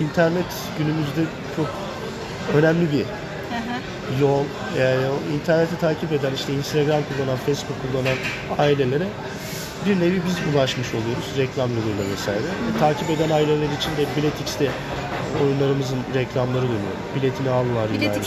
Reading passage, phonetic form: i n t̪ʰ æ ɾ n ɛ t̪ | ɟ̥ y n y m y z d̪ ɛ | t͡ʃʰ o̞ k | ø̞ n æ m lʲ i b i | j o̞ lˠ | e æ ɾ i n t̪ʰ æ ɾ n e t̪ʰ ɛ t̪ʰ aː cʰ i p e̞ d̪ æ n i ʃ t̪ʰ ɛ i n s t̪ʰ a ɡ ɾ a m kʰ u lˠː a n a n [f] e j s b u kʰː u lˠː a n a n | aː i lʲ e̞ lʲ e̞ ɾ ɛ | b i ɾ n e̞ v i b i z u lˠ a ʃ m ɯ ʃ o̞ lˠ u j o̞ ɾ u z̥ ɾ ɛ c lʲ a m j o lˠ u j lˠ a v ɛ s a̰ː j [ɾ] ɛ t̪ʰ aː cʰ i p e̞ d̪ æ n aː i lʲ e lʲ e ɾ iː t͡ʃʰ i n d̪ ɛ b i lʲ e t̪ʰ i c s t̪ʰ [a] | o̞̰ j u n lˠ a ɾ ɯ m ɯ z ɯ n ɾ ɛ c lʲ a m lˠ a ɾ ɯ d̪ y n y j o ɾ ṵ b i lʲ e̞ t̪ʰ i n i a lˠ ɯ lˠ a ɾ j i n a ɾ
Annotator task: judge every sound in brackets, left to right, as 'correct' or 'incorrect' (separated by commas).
correct, correct, incorrect